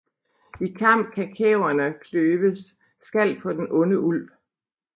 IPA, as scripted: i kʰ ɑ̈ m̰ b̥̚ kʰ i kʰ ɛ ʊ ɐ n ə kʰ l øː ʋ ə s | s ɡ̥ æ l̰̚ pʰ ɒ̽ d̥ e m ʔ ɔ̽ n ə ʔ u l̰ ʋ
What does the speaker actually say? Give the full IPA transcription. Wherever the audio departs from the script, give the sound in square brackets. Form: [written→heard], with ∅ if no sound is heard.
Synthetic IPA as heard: i kʰ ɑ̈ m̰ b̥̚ kʰ [i→æ] kʰ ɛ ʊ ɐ n ə kʰ l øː ʋ ə s | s ɡ̥ æ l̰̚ pʰ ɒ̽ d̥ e [m→n] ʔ ɔ̽ n ə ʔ u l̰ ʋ